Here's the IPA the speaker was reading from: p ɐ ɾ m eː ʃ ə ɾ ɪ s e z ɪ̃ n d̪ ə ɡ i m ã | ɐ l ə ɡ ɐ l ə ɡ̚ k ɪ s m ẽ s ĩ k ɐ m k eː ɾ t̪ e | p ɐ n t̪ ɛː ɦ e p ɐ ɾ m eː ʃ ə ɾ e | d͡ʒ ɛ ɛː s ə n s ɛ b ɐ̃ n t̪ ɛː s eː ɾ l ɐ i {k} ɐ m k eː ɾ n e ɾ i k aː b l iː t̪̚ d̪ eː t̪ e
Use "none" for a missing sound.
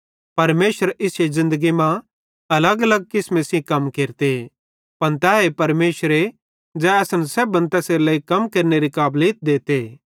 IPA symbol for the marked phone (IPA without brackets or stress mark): k